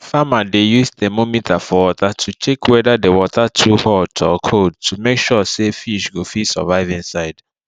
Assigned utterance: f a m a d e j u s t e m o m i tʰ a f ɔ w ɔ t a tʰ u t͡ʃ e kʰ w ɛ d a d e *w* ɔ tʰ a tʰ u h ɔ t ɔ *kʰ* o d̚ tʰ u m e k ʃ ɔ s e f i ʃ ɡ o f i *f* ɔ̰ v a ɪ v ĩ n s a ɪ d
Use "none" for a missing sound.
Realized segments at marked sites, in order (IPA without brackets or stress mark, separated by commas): w, kʰ, s